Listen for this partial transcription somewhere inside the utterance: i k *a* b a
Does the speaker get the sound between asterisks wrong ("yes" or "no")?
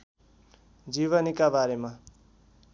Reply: no